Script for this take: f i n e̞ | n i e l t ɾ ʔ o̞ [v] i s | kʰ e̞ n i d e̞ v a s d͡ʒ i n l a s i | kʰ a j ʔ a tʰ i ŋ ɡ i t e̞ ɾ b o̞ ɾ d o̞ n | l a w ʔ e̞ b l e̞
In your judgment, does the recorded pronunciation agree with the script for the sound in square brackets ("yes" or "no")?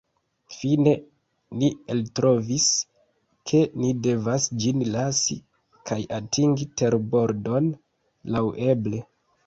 yes